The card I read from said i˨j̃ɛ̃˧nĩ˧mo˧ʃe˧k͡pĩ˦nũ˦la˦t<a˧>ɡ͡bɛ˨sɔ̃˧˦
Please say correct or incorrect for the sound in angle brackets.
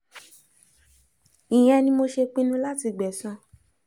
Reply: incorrect: i˧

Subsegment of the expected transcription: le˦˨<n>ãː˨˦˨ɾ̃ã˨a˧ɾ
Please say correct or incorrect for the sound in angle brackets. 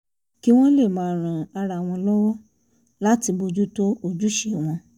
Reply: incorrect: m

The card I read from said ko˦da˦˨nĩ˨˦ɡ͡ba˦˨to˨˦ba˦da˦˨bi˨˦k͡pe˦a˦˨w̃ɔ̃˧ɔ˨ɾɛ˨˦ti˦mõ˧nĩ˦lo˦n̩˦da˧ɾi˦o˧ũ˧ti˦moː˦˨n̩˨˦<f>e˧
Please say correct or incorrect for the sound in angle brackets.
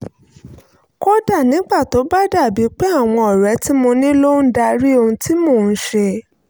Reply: incorrect: ʃ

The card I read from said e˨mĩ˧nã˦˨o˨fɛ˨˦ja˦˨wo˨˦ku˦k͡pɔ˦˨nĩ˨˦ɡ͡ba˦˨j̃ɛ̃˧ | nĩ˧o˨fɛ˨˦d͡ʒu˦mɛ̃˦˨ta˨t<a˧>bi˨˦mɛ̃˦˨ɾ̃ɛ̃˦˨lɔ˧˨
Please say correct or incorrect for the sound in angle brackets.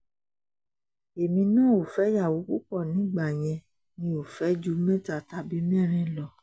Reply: correct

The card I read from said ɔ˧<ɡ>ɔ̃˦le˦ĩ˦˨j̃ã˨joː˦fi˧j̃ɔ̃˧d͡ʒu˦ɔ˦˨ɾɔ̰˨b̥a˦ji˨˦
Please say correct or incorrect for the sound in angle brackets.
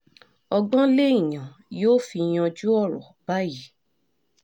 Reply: incorrect: ɡ͡b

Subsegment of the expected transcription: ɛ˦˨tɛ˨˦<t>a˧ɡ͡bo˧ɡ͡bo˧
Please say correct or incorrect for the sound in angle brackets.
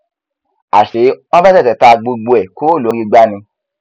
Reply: correct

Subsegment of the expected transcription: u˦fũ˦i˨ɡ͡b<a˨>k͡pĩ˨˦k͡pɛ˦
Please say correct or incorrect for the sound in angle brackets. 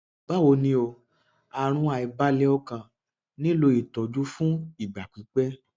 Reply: correct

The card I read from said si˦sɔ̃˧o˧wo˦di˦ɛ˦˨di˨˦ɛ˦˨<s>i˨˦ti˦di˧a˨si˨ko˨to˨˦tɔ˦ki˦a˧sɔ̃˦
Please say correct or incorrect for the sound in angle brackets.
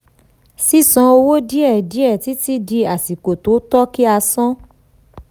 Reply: incorrect: t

